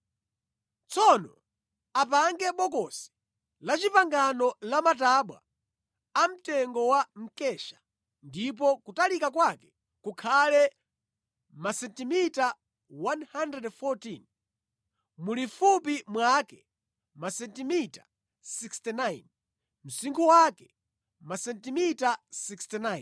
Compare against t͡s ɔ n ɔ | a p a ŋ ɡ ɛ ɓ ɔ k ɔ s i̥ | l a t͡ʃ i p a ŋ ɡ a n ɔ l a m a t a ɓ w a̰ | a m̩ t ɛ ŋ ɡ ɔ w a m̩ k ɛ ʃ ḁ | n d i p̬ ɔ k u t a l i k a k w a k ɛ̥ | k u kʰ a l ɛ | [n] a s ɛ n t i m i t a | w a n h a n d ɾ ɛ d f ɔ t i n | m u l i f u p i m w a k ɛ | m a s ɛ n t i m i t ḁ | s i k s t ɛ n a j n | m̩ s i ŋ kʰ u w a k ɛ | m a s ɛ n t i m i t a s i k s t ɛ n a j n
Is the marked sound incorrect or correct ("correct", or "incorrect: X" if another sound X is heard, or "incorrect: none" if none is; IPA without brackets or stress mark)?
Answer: incorrect: m